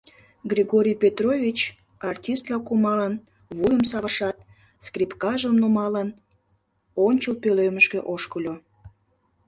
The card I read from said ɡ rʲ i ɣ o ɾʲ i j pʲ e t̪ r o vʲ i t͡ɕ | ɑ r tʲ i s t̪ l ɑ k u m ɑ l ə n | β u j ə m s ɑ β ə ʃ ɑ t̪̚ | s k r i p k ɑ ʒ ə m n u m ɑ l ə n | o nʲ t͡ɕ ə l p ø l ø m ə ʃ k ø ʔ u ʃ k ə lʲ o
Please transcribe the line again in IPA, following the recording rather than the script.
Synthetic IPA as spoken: ɡ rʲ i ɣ o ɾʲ i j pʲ e t̪ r o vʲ i t͡ɕ | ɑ r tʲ i s t̪ l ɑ k u m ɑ l ə n | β u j ə m s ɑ β ə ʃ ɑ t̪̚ | s k r i p k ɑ ʒ ə m n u m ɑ l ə n | o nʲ t͡ɕ ə l p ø l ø m ə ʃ k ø ʔ o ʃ k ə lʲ o